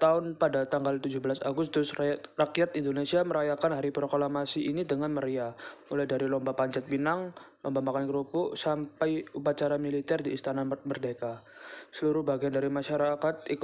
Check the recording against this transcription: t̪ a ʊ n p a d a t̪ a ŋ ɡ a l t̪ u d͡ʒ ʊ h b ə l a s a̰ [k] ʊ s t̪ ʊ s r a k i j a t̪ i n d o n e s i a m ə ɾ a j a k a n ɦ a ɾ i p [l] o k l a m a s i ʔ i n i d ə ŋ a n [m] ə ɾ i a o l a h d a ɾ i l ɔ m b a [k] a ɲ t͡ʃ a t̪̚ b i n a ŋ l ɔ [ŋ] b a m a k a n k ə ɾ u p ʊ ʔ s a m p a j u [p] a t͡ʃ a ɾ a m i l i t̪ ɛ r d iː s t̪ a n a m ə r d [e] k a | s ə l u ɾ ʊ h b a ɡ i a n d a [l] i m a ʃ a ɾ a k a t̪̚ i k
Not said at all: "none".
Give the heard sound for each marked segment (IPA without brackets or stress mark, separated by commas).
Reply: ɡ, ɾ, m, p, m, p, e, ɾ